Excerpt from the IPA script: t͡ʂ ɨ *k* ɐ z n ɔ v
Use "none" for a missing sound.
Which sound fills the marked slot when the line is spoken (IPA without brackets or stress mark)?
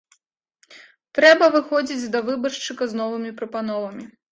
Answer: k